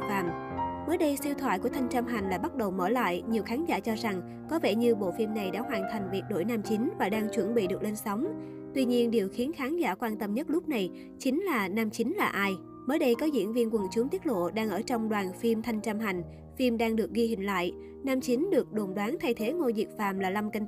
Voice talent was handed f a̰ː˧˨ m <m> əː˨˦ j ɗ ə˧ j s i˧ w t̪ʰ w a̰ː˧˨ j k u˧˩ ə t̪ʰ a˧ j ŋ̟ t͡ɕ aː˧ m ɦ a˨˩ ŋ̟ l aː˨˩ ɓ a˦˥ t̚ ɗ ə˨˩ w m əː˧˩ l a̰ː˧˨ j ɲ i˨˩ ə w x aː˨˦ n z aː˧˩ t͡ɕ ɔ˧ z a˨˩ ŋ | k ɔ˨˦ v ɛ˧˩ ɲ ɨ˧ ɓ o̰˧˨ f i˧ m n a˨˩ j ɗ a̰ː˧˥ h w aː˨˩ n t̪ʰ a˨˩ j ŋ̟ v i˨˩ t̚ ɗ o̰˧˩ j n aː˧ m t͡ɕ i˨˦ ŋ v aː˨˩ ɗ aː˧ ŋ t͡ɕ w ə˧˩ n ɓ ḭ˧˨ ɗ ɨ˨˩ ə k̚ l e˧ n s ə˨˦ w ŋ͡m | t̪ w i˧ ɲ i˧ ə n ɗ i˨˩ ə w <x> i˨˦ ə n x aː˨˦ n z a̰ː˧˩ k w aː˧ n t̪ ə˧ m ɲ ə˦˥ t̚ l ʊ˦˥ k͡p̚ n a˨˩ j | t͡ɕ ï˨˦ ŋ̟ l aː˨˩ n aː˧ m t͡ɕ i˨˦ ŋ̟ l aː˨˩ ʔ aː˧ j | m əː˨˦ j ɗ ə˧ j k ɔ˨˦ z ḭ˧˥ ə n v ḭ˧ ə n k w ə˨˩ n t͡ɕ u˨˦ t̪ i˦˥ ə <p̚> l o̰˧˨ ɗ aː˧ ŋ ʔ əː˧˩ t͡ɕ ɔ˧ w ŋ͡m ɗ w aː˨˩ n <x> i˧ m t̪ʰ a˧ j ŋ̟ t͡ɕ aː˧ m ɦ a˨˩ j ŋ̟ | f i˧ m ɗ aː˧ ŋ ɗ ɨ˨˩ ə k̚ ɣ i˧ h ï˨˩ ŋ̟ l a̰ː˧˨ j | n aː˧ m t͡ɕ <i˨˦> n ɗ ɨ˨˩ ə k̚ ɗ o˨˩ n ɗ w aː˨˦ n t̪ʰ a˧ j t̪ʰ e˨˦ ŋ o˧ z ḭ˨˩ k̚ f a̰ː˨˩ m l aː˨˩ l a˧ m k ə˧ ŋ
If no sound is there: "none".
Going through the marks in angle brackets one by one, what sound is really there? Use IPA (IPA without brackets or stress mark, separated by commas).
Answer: m, x, t̚, f, i˨˦